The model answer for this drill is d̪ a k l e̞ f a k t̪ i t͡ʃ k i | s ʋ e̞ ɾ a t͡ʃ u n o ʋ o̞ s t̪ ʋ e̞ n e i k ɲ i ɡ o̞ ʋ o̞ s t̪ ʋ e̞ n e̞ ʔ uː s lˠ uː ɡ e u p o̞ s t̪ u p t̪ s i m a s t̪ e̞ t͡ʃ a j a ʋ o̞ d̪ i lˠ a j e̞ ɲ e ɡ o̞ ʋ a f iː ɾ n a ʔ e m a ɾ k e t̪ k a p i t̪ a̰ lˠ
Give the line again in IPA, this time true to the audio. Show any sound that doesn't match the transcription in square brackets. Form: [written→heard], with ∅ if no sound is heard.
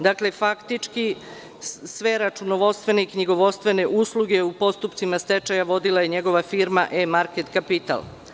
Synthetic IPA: d̪ a k l e̞ f a k t̪ i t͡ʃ k i | s ʋ e̞ ɾ a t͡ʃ u n o ʋ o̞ s t̪ ʋ e̞ n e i k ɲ i ɡ o̞ ʋ o̞ s t̪ ʋ e̞ n e̞ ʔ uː s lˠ [uː→u] ɡ e u p o̞ s t̪ u p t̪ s i m a s t̪ e̞ t͡ʃ a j a ʋ o̞ d̪ i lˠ a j e̞ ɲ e ɡ o̞ ʋ a f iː ɾ [n→m] a ʔ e m a ɾ k e t̪ k a p i t̪ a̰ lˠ